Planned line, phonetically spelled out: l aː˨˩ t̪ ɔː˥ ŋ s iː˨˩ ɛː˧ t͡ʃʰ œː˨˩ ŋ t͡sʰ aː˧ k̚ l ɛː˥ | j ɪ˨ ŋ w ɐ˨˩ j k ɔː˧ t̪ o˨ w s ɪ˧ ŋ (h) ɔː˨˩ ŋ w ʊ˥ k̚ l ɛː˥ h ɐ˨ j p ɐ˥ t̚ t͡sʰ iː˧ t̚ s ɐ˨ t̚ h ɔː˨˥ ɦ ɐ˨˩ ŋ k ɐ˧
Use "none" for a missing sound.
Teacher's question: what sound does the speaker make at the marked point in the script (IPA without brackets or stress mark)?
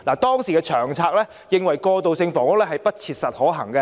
f